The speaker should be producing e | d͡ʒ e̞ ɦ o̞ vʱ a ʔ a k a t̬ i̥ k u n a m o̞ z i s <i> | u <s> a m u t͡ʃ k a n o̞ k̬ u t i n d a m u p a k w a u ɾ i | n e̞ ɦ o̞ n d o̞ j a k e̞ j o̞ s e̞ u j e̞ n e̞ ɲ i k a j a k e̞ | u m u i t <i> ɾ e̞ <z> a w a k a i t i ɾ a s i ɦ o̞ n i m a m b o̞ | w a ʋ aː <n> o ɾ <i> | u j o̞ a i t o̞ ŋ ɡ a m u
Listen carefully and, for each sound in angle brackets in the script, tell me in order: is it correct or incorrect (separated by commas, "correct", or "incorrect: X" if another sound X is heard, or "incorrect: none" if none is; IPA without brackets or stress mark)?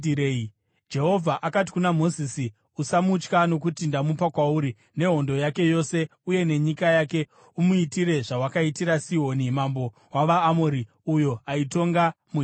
correct, correct, correct, incorrect: ʐ, incorrect: m, correct